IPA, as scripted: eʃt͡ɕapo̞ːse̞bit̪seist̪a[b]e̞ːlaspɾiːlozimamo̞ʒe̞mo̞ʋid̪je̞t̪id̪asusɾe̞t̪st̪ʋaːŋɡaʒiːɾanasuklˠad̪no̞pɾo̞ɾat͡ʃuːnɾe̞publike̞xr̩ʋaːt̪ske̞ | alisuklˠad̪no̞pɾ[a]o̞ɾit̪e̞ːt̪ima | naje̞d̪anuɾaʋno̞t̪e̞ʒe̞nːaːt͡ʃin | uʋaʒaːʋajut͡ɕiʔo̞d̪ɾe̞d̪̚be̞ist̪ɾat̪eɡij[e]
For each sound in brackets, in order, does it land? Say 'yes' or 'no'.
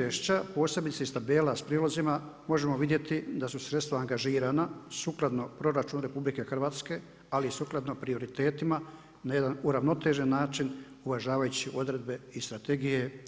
yes, no, yes

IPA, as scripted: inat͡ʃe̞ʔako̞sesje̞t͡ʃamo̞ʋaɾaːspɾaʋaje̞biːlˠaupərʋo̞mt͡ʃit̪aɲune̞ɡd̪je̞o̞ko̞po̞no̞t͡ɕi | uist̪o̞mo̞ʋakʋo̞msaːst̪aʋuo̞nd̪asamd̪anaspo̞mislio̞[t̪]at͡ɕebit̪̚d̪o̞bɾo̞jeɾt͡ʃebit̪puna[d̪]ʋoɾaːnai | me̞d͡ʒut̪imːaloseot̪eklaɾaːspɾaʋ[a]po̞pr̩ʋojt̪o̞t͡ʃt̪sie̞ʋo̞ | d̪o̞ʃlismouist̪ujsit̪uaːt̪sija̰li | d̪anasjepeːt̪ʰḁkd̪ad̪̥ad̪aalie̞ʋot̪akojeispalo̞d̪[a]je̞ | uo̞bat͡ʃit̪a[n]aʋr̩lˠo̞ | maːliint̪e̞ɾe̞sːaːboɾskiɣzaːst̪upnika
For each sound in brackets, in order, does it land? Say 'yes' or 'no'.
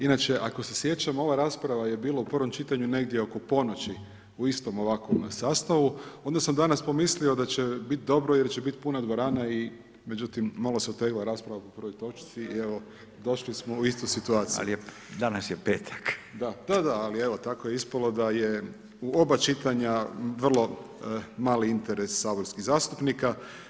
no, yes, yes, yes, no

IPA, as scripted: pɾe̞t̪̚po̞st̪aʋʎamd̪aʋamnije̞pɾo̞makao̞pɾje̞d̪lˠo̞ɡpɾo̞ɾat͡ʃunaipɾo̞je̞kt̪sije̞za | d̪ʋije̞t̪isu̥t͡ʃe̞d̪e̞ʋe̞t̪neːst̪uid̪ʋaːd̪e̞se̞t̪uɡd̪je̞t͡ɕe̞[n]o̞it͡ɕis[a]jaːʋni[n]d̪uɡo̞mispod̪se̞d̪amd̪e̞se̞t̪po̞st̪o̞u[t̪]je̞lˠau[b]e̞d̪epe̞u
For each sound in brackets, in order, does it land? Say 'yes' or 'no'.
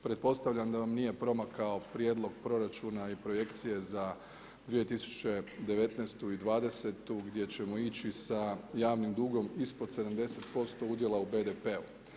no, yes, no, no, yes

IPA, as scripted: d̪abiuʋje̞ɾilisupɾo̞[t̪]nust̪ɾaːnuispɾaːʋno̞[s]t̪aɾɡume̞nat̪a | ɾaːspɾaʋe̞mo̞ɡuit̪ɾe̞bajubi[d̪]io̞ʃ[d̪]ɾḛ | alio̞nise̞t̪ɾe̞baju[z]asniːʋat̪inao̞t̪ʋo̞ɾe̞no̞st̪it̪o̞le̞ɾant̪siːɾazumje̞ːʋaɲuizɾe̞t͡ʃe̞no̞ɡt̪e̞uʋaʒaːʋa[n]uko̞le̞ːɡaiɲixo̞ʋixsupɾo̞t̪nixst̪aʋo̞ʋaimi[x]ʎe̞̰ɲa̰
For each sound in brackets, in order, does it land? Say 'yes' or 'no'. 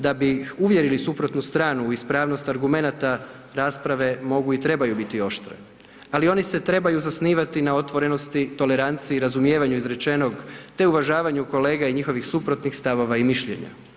yes, yes, no, no, yes, no, no

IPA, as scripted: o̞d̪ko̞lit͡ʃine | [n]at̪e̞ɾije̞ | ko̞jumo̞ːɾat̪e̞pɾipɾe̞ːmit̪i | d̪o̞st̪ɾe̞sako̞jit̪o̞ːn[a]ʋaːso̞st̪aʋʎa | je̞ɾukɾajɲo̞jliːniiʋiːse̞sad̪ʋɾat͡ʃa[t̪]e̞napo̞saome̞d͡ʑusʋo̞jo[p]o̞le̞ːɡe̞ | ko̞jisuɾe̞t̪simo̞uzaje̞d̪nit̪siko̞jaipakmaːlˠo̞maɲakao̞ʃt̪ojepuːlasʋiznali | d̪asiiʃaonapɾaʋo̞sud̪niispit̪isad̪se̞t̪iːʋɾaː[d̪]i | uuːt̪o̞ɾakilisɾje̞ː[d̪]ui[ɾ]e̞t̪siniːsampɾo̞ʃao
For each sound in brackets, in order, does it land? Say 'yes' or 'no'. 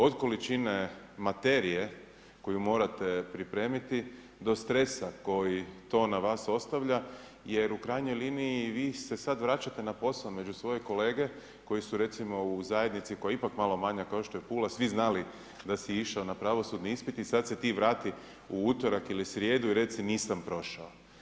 no, yes, yes, no, no, yes, yes

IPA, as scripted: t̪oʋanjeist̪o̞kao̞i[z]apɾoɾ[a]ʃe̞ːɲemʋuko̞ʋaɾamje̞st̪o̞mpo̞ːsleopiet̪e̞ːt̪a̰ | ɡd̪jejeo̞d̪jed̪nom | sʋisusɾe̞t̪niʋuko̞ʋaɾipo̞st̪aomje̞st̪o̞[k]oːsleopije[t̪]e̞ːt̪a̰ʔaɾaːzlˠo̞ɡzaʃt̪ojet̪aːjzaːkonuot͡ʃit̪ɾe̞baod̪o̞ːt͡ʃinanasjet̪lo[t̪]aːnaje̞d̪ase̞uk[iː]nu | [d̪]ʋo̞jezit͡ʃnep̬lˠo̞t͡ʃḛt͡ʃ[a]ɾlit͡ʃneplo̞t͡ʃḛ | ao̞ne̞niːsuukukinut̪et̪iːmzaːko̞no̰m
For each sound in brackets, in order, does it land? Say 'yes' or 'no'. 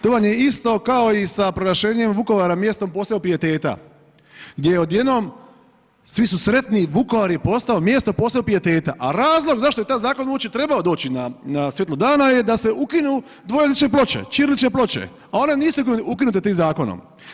no, yes, no, yes, no, no, yes, no

